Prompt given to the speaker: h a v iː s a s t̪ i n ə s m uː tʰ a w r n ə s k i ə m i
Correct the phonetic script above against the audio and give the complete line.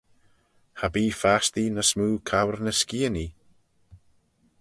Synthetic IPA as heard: h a b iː f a s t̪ i n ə s m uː kʰ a w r n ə s k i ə n i

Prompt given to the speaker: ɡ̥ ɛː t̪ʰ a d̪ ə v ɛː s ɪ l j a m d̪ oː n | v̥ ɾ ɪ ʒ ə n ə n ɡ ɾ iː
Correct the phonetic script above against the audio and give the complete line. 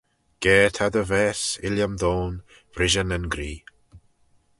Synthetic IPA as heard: ɡ̥ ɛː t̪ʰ a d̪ ə v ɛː s ɪ l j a m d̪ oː n | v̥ ɾ ɪ ʒ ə n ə n ɡ ɾ iː

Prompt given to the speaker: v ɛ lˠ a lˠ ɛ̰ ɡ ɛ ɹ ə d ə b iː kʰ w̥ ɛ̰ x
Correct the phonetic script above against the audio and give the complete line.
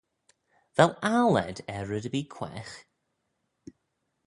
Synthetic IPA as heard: v ɛ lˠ a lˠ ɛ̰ d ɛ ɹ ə d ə b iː kʰ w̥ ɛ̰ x

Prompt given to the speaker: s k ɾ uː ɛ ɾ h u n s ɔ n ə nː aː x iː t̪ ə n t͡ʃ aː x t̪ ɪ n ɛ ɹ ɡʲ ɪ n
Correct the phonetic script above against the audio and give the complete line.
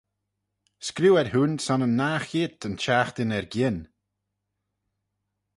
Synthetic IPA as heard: s k ɾ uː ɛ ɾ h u n s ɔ n ə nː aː x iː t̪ ə n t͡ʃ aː x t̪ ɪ n ɛ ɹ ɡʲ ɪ n

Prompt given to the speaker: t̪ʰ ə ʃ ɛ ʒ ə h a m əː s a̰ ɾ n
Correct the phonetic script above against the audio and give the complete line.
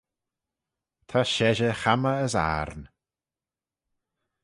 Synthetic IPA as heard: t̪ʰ a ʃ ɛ ʒ ə x a m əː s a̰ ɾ n

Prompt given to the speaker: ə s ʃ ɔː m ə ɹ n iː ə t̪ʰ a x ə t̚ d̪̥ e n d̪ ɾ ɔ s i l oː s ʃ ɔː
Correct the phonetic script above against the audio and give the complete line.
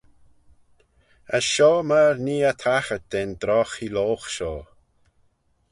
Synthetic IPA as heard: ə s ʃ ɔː m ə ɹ n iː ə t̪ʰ a x ə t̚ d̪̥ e n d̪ ɾ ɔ x i l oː x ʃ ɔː

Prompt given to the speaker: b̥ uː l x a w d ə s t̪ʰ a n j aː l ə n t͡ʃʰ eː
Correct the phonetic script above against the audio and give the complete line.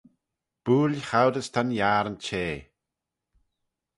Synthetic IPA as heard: b̥ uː l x a w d ə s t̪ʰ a n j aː ɾ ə n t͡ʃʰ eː

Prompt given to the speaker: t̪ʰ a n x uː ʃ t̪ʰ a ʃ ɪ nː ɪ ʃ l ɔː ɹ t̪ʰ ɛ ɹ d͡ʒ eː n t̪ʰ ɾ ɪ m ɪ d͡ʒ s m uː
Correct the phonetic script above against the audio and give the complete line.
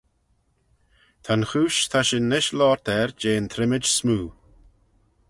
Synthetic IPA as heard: t̪ʰ a n x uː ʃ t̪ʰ a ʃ ɪ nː ɪ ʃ l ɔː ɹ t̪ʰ ɛ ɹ d͡ʒ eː n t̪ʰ ɾ ɪ m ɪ d͡ʒ s m uː

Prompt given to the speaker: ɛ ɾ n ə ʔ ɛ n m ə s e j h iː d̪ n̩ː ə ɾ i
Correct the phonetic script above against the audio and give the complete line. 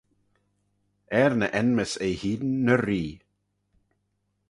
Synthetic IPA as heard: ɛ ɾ n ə ʔ ɛ n m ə s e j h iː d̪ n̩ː ə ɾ iː

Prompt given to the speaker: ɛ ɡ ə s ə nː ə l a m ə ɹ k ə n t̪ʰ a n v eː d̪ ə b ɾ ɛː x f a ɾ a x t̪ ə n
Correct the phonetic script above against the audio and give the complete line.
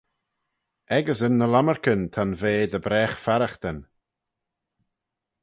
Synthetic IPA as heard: ɛ ɡ ə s ə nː ə l a m ə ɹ k ə n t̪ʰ a n v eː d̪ ə b ɾ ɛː x f a ɾ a x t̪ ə n

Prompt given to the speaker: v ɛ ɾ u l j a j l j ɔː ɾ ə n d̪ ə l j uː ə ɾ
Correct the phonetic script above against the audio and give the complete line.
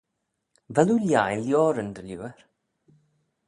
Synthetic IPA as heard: v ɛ l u l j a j l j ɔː ɾ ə n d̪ ə l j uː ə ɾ

